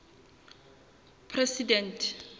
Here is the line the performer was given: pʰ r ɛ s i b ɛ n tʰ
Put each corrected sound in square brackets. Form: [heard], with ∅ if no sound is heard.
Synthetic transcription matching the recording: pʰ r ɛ s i [d] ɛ n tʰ